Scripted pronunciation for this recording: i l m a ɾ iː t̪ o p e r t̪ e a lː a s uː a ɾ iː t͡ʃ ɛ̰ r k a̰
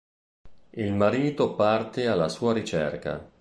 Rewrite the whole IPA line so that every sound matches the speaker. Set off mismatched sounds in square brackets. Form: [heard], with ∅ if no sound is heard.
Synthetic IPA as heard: i l m a ɾ iː t̪ o p [a] r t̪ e a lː a s uː a ɾ [i] t͡ʃ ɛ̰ r k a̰